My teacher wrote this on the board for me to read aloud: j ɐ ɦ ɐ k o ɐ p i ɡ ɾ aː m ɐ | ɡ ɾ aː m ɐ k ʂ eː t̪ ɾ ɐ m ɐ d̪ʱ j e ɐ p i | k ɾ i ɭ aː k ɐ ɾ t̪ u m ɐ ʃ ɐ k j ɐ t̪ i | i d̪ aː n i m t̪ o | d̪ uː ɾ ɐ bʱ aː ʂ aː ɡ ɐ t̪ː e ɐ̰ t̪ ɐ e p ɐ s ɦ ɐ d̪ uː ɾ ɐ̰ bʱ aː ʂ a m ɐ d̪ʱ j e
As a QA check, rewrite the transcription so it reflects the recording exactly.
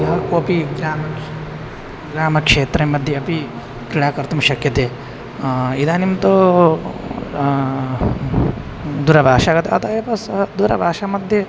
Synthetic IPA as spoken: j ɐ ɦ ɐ k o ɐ p i ɡ ɾ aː m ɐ | ɡ ɾ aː m ɐ k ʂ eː t̪ ɾ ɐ m ɐ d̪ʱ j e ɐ p i | k ɾ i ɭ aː k ɐ ɾ t̪ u m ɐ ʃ ɐ k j ɐ t̪ e | i d̪ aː n i m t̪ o | d̪ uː ɾ ɐ bʱ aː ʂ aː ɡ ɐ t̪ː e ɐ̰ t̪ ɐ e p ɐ s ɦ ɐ d̪ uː ɾ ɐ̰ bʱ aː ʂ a m ɐ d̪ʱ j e